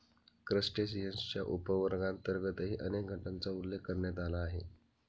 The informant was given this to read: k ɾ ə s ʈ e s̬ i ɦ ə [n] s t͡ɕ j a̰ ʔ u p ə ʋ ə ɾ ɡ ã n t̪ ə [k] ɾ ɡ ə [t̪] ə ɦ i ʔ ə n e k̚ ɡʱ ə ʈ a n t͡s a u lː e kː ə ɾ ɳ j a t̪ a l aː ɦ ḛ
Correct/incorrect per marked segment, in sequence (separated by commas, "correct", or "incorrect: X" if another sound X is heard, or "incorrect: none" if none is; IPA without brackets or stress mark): correct, incorrect: none, correct